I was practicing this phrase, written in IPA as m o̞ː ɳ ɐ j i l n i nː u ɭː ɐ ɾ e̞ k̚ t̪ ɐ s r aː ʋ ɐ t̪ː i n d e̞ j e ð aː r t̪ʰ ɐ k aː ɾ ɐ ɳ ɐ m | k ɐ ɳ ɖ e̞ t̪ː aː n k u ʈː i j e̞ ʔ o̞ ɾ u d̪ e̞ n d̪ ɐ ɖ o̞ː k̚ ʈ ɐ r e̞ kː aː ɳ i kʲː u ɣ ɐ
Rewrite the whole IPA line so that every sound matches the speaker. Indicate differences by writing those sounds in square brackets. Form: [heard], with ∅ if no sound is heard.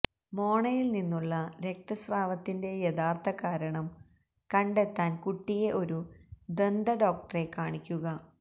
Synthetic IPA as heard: m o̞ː ɳ ɐ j i l n i nː u ɭː ɐ ɾ e̞ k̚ t̪ ɐ s r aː ʋ ɐ t̪ː i n d e̞ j e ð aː r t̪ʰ ɐ k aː ɾ ɐ ɳ ɐ m | k ɐ ɳ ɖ e̞ t̪ː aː n k u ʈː i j e̞ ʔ o̞ ɾ u d̪ e̞ n d̪ ɐ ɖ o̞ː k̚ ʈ ɐ r e̞ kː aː ɳ i kʲː u ɣ ɐ